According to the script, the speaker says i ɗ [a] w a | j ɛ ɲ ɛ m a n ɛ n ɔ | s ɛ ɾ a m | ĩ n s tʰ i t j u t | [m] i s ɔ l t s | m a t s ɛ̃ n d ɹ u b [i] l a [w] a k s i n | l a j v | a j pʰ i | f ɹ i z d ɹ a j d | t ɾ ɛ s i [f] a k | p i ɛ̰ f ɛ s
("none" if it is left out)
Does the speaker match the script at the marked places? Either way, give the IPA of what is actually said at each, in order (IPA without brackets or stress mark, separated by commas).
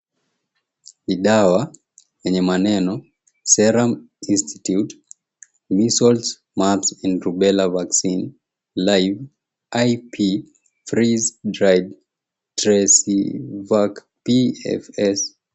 a, m, ɛ, v, v